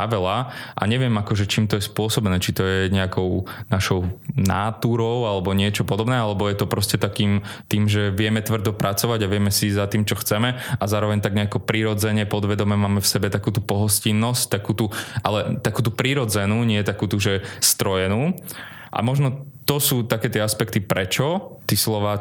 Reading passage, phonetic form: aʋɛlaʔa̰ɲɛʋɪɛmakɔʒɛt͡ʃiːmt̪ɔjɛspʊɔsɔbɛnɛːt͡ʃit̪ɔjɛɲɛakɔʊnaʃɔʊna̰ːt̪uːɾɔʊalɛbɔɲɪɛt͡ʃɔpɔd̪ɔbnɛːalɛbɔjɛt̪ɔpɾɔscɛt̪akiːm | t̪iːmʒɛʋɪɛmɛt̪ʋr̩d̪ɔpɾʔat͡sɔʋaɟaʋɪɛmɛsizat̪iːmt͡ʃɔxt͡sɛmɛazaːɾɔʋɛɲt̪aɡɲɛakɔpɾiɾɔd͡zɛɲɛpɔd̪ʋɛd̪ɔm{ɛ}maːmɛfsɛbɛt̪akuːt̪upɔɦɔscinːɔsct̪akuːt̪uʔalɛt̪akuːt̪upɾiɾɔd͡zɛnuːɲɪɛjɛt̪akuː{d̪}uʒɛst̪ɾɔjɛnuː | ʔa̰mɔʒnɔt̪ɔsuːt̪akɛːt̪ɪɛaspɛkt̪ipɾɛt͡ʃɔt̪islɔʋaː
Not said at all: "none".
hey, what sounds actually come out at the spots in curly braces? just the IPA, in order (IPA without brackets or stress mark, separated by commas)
ɛ, t̪